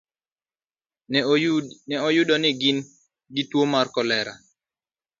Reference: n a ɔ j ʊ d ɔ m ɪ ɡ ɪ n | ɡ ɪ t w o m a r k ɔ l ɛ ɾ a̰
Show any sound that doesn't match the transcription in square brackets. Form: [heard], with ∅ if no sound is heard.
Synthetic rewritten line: n [ɛ] ɔ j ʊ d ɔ [n] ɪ ɡ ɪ n | ɡ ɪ t w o m a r k ɔ l ɛ ɾ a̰

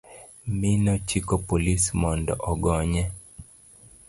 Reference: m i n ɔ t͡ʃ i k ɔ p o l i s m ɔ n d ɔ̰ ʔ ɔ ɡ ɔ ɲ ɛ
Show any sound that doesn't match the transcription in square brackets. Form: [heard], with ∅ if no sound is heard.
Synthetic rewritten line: m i n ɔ t͡ʃ i k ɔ p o l i s m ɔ n d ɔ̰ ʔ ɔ ɡ ɔ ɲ ɛ

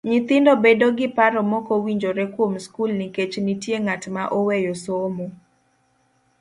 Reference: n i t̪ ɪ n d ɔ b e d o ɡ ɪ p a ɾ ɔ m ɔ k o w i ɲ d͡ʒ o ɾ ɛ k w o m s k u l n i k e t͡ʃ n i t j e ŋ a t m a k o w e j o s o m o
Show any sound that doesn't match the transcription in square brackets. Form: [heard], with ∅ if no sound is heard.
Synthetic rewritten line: [ɲ] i t̪ ɪ n d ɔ b e d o ɡ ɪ p a ɾ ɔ m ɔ k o w i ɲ d͡ʒ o ɾ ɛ k w o m s k u l n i k e t͡ʃ n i t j e ŋ a t m a [ʔ] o w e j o s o m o

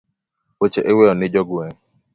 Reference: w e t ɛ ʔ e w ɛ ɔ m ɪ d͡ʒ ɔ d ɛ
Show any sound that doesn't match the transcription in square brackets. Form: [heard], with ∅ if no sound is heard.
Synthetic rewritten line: w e [t͡ʃ] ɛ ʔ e w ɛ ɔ [n] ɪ d͡ʒ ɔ [ɡ] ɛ

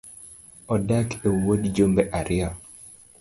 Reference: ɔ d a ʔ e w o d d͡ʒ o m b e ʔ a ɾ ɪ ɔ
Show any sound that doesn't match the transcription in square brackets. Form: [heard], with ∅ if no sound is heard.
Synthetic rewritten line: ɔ d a [k] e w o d d͡ʒ o m b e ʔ a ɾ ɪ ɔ

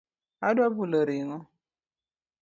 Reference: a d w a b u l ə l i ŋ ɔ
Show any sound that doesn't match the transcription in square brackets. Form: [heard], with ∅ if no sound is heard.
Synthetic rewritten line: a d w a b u l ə [ɾ] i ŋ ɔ

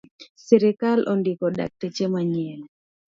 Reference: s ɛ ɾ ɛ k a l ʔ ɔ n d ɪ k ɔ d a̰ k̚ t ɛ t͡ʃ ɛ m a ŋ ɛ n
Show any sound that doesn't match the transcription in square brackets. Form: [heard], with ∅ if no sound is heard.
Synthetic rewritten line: s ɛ ɾ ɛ k a l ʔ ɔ n d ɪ k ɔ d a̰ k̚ t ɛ t͡ʃ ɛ m a [ɲ] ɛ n

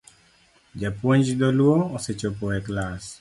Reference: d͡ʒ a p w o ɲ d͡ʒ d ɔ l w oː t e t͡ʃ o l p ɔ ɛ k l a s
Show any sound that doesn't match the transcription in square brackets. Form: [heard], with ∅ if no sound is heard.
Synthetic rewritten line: d͡ʒ a p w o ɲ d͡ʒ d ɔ l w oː [s] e t͡ʃ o [∅] p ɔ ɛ k l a s

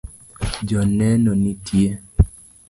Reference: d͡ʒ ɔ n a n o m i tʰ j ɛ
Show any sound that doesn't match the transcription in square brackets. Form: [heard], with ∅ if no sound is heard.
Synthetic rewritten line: d͡ʒ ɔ n [ɛ] n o [n] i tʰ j [e]

